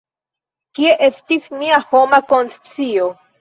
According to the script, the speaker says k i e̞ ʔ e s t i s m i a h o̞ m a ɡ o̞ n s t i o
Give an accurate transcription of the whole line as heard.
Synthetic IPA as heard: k i e̞ ʔ e s t i s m i a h o̞ m a k o̞ n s t͡s i o